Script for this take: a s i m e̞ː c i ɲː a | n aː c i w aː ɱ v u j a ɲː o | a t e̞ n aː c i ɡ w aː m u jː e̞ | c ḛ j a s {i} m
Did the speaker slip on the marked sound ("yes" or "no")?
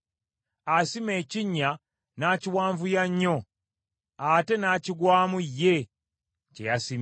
no